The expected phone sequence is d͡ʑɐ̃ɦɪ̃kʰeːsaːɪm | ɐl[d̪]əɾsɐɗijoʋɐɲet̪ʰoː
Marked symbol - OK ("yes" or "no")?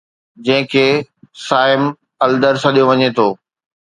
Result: yes